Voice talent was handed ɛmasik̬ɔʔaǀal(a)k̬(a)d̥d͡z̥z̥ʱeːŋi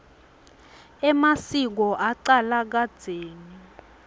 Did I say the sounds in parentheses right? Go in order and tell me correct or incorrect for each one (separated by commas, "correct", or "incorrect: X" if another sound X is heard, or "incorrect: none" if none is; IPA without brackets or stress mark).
correct, correct